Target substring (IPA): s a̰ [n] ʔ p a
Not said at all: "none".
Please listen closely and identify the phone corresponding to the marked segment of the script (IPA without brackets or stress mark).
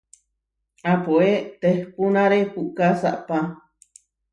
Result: none